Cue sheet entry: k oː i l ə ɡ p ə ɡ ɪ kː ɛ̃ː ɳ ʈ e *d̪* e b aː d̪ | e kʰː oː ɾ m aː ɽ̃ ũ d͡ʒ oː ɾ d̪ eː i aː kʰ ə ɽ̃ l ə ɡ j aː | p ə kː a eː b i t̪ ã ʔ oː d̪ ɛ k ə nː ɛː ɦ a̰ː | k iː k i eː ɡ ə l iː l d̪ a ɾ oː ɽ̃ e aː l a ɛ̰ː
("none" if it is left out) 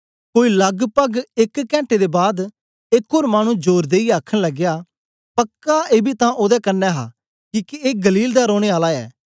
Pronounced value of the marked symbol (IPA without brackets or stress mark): d̪